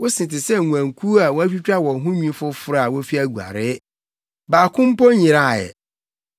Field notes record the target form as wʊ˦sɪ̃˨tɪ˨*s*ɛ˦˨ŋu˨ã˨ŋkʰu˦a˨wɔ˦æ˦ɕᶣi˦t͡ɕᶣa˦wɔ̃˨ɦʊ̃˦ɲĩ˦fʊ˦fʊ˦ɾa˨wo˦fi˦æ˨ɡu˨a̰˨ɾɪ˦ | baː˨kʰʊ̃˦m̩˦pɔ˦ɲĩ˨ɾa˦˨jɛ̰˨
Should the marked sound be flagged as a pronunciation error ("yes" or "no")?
no